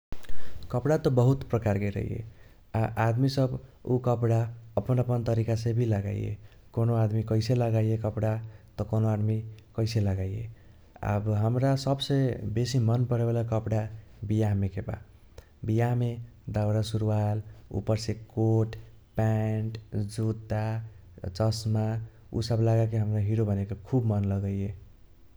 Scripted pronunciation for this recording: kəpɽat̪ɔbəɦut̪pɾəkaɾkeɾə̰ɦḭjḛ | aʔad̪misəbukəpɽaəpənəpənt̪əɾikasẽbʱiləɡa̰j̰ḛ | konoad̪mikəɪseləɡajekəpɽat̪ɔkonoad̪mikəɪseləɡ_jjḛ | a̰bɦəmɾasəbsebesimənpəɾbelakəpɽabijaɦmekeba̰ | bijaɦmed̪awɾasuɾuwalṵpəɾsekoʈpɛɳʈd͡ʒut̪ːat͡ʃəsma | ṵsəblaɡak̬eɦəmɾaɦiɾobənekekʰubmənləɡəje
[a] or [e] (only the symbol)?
a